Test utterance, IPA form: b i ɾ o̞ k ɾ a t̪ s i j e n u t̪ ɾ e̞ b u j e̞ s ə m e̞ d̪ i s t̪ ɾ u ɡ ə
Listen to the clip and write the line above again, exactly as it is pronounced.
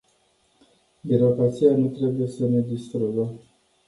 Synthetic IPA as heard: b i ɾ o̞ k ɾ a t̪ s i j a n u t̪ ɾ e̞ b u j e̞ s ə n e̞ d̪ i s t̪ ɾ u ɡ ə